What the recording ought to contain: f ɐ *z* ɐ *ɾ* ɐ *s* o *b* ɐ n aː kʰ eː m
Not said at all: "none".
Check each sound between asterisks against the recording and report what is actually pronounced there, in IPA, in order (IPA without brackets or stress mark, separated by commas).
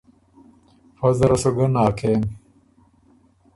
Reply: z, ɾ, s, ɡ